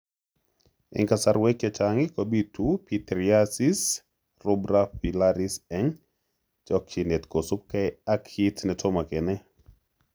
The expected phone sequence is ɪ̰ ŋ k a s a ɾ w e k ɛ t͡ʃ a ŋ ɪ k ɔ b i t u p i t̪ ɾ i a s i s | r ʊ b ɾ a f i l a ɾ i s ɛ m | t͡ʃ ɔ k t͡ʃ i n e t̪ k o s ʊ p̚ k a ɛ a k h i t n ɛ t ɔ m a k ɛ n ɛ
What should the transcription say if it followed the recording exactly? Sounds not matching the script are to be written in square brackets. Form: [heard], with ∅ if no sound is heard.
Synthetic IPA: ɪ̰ ŋ k a s a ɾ w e k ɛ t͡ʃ a ŋ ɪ k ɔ b i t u p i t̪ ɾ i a s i s | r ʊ b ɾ a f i l a ɾ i s ɛ [ŋ] | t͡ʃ ɔ k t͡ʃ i n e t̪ k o s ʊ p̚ k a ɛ a k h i t n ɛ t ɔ m a k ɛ n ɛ

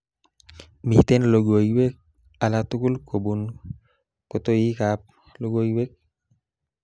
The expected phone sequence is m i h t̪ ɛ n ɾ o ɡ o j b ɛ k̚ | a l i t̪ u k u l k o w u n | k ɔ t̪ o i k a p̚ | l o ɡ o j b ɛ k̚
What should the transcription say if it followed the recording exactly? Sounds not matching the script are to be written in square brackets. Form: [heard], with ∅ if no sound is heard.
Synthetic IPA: m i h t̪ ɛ n [l] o ɡ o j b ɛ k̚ | a l [a] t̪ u k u l k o [b] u n | k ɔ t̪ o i k a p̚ | l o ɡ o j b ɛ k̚

